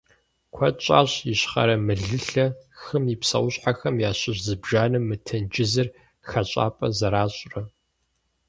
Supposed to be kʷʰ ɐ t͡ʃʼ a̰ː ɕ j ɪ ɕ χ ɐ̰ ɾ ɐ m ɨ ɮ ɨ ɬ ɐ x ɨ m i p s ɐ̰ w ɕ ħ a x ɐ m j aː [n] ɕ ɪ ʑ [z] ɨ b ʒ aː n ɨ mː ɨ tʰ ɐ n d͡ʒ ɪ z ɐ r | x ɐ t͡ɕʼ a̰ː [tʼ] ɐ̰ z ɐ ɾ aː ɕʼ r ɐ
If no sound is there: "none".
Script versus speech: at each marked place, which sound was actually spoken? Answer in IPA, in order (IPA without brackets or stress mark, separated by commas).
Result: none, z, pʼ